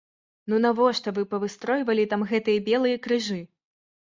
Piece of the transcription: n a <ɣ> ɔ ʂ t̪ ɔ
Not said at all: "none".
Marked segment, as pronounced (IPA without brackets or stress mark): v